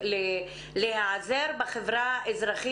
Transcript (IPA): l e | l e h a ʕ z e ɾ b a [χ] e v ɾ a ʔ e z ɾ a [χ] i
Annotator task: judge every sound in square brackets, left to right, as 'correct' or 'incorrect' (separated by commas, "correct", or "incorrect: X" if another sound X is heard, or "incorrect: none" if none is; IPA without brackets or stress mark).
correct, correct